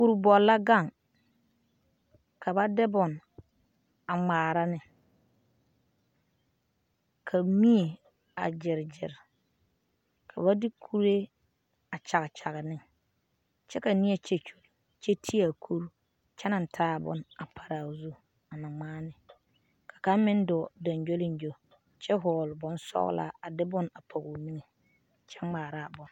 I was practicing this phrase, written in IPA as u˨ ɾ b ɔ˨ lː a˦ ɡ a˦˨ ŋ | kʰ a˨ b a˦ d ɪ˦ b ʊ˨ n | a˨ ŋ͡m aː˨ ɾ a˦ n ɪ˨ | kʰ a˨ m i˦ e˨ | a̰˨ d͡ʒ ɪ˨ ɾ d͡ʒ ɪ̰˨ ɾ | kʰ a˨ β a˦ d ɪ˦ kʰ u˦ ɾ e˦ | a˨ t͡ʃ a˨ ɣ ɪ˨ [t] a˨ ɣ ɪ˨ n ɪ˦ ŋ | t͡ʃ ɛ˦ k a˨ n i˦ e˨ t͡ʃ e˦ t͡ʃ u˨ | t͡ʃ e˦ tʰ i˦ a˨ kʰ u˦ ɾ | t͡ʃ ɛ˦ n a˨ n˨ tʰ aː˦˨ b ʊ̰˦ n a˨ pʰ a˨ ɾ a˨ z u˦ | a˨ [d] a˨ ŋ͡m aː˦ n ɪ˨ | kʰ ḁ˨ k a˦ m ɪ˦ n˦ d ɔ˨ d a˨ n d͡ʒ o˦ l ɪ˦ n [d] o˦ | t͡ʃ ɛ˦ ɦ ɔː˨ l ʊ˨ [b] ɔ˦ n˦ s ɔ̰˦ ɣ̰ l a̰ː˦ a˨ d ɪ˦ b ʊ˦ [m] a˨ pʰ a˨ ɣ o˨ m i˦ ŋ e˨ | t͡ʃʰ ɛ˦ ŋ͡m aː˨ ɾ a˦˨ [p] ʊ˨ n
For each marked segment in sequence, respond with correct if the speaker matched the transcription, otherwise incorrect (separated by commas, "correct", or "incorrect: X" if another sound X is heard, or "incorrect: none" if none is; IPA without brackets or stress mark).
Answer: incorrect: t͡ʃ, incorrect: n, incorrect: d͡ʒ, correct, incorrect: n, incorrect: b